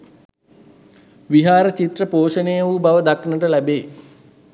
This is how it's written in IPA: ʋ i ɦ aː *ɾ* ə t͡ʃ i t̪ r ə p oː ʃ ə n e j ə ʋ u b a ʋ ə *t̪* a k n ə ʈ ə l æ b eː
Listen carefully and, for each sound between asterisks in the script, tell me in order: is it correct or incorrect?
correct, incorrect

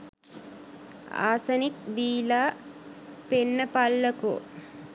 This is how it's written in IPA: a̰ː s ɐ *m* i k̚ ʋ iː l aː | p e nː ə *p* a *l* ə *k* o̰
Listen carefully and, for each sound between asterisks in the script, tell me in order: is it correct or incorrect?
incorrect, correct, incorrect, correct

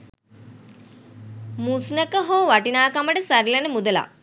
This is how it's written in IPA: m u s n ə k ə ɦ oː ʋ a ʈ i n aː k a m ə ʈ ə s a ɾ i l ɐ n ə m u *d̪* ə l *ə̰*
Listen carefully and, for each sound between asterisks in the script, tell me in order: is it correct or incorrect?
correct, incorrect

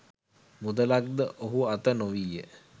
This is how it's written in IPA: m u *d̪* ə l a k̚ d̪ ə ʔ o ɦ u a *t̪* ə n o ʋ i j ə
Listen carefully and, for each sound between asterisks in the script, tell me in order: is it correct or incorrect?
correct, correct

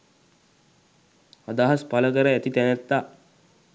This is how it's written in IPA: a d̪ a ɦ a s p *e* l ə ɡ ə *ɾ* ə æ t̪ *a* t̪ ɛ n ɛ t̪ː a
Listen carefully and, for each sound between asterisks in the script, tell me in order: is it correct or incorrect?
incorrect, correct, incorrect

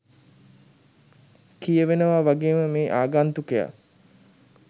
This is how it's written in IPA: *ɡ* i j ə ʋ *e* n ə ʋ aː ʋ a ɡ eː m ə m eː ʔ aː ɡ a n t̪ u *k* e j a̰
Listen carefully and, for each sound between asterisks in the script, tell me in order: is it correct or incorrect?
incorrect, correct, correct

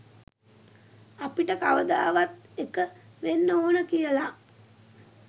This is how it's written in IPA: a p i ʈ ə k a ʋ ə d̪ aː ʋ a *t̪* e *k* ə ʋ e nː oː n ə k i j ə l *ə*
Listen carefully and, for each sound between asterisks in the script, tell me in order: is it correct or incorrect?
correct, correct, incorrect

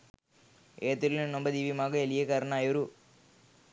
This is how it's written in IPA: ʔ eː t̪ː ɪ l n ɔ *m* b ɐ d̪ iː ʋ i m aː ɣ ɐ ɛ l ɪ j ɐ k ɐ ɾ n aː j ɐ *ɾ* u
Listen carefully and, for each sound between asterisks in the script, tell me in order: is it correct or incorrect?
correct, correct

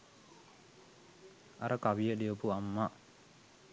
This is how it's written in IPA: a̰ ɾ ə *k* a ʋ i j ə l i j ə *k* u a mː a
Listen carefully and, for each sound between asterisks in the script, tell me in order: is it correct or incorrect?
correct, incorrect

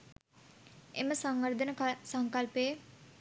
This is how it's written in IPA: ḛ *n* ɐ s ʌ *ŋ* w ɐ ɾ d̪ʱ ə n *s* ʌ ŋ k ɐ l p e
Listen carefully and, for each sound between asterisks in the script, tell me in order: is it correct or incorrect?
incorrect, correct, correct

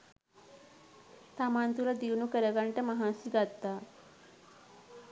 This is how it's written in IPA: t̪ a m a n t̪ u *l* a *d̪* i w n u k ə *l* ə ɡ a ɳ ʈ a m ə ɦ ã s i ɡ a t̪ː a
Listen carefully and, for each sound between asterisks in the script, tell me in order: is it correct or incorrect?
correct, correct, incorrect

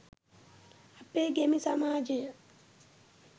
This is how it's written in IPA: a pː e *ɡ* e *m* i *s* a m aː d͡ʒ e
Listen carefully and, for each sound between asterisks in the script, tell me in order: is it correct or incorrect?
correct, correct, correct

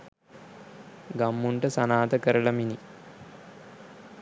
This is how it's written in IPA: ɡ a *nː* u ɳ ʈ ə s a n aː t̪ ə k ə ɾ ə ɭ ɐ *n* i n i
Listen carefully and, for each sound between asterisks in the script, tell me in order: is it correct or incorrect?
incorrect, incorrect

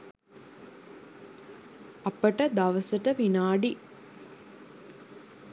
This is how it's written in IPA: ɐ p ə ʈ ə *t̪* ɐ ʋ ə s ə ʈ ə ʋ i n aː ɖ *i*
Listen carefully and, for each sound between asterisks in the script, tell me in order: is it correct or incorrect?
incorrect, correct

